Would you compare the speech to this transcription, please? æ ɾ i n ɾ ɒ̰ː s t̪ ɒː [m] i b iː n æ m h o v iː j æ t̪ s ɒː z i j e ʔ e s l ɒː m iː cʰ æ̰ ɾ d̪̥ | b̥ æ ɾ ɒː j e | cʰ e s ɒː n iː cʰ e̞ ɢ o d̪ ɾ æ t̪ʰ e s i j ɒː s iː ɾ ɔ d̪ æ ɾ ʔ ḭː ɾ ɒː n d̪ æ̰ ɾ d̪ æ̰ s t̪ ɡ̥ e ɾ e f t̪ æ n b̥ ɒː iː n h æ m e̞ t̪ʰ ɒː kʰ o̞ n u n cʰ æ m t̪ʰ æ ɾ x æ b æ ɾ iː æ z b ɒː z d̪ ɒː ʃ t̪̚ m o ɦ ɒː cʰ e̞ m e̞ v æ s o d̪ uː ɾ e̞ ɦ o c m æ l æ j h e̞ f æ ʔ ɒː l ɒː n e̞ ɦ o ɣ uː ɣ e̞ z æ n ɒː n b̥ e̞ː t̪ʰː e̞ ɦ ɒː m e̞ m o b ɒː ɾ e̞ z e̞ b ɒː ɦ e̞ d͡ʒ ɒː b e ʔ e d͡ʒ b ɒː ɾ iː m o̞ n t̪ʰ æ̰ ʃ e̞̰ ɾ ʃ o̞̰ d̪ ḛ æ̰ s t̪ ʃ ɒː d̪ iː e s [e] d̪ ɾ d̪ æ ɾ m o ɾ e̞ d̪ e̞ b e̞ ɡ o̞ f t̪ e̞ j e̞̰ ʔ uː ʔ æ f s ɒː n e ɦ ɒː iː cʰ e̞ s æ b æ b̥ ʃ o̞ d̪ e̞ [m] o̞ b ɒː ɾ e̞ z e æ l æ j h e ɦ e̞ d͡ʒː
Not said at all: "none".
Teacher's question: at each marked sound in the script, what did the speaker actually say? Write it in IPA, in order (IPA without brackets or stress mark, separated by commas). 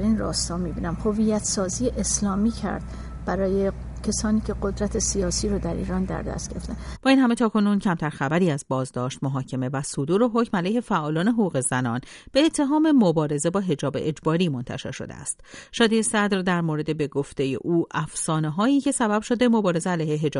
m, æ, m